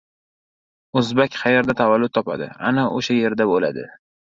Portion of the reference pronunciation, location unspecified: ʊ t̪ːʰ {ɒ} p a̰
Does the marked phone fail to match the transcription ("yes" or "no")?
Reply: no